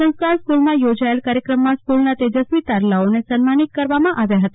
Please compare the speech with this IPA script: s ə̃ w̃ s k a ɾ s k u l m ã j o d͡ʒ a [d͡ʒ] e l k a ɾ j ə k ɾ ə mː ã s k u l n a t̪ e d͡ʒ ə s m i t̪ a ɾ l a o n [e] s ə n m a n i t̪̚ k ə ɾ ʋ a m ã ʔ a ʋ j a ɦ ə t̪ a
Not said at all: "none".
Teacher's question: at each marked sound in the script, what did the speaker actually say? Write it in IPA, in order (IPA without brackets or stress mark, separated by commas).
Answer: none, e